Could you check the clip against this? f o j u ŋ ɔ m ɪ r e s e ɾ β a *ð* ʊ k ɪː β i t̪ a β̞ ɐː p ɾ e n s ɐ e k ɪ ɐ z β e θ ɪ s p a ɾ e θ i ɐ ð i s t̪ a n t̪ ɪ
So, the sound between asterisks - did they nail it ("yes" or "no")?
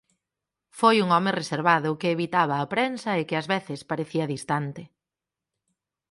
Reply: yes